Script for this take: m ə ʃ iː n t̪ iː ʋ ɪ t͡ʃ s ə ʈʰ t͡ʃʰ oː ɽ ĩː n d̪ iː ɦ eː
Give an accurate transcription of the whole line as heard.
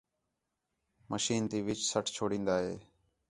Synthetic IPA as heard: m ə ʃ iː n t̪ iː ʋ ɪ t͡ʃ s ə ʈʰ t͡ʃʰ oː ɽ ĩː n d̪ aː ɦ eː